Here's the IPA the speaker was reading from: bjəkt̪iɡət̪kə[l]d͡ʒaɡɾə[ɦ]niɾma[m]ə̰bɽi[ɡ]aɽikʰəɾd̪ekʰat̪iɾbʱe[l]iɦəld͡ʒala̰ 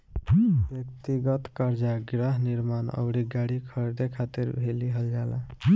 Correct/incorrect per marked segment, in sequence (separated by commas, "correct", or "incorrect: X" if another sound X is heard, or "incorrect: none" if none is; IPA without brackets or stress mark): incorrect: ɾ, correct, incorrect: n, correct, correct